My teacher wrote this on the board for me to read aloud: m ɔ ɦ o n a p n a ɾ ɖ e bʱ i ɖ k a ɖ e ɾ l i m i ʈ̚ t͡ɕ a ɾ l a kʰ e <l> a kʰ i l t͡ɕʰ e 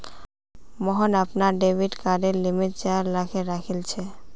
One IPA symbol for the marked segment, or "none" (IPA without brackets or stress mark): ɾ